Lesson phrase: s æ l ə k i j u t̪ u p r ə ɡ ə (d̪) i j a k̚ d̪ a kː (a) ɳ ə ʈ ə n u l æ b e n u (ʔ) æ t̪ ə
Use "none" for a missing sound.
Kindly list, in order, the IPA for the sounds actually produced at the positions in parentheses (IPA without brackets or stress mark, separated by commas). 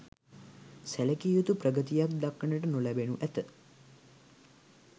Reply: t̪, ə, ʔ